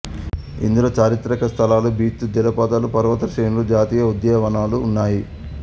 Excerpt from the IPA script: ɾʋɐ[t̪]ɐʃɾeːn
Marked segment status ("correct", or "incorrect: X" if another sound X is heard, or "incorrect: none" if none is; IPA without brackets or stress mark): correct